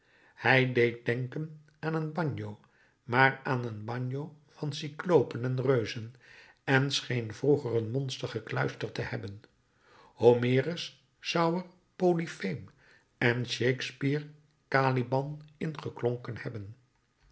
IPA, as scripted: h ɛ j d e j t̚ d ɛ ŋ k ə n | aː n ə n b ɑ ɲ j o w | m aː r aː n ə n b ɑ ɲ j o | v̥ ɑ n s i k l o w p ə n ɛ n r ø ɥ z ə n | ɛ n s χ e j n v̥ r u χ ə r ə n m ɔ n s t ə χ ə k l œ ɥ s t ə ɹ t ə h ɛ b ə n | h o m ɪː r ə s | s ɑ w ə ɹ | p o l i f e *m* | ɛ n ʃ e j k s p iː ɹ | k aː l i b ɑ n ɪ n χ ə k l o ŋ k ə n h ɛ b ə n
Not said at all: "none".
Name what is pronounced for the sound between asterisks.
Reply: m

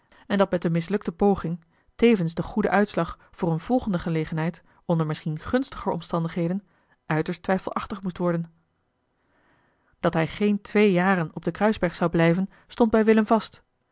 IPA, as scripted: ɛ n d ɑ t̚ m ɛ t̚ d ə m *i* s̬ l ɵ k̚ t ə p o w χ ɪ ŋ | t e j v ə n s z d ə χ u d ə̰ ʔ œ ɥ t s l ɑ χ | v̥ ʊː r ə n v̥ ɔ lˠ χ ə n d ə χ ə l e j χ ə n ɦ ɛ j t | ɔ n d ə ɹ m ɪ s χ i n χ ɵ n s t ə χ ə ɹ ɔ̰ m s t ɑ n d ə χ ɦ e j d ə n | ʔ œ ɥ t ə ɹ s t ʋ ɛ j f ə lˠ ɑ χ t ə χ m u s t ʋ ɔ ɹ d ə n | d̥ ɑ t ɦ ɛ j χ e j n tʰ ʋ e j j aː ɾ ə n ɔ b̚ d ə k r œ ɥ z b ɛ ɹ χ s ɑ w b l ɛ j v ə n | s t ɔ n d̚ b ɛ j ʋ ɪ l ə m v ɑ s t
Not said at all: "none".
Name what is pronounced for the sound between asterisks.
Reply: ɪ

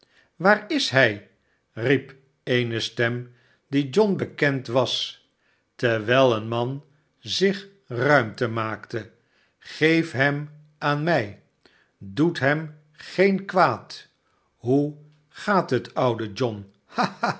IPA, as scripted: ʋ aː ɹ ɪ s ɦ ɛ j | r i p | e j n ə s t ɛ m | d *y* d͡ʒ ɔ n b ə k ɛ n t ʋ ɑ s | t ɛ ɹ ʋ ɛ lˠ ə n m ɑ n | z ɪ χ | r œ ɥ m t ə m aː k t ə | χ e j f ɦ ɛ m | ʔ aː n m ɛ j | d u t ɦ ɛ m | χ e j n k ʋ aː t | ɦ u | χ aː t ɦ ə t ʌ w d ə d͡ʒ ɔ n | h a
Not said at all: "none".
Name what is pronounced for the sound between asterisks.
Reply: i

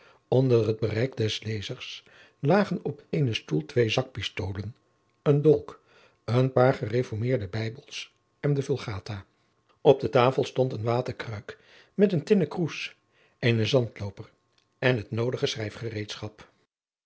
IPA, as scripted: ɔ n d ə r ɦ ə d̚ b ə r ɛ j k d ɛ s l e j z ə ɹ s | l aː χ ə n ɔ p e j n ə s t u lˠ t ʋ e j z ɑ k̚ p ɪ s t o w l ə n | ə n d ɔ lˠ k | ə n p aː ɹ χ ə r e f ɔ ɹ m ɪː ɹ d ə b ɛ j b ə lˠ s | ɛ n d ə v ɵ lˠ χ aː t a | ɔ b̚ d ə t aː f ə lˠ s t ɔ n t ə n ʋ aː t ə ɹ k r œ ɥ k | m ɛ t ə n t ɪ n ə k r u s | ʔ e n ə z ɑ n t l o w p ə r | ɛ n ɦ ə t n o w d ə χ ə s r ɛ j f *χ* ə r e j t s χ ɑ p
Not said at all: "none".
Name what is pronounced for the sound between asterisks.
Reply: χ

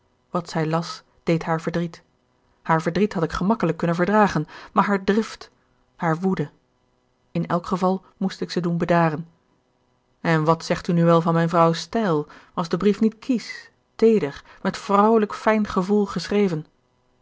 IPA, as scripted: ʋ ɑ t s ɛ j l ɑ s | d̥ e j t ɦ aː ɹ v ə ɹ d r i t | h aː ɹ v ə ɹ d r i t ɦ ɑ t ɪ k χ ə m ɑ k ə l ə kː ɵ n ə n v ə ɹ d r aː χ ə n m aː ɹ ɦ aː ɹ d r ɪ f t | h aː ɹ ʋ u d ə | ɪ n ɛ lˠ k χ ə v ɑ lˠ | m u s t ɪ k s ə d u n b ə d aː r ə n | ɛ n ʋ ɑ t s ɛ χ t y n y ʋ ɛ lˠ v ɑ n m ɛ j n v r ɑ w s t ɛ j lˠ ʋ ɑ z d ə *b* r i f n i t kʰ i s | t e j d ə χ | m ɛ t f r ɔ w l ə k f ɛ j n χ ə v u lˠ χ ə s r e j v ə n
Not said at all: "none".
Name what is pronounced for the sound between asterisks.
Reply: b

